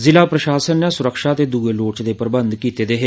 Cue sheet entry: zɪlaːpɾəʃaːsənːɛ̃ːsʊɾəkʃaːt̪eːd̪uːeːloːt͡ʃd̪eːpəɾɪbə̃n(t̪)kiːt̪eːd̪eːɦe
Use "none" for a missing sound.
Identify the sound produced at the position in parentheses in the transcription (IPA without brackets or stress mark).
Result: d̪